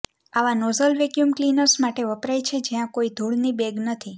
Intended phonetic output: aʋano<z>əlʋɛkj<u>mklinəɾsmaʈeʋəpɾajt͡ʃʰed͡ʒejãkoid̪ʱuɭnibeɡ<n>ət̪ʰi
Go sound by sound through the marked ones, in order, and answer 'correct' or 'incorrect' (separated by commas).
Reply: correct, correct, correct